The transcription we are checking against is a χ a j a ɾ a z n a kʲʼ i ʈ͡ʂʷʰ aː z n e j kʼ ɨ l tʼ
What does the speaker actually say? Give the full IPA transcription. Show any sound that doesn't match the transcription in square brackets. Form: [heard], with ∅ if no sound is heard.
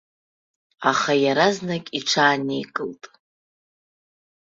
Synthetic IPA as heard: a χ a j a ɾ a z n a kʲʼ i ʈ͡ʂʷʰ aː [∅] n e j kʼ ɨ l tʼ